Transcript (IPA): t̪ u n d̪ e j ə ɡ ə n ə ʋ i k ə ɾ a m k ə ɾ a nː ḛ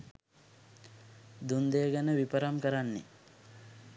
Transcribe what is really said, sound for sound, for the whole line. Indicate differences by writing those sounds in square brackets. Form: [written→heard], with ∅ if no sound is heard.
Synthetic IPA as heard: [t̪→d̪] u n d̪ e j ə ɡ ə n ə ʋ i [k→p] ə ɾ a m k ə ɾ a nː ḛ